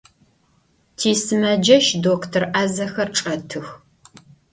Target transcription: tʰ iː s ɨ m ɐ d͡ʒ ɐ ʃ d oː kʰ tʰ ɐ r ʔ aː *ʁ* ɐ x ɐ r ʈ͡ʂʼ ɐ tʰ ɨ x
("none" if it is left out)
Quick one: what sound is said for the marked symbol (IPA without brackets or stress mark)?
z